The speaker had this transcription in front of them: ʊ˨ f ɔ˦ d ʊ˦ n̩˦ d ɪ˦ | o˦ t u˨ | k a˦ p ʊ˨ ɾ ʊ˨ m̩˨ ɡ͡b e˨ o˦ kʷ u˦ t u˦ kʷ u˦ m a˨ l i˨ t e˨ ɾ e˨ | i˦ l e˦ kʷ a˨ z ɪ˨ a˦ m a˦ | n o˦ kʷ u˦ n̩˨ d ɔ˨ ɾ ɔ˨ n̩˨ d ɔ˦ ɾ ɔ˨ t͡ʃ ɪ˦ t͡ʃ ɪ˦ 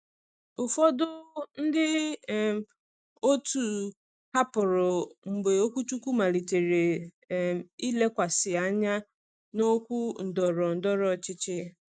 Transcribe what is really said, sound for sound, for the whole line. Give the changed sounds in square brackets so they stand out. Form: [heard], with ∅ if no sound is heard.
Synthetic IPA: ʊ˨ f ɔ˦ d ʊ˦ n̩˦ d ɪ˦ | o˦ t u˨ | k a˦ p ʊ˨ ɾ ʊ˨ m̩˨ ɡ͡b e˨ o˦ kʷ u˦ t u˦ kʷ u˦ m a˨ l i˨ t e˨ ɾ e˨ | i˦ l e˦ kʷ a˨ [s] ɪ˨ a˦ [ɲ] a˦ | n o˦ kʷ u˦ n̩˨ d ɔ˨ ɾ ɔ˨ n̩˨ d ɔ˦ ɾ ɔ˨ t͡ʃ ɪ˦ t͡ʃ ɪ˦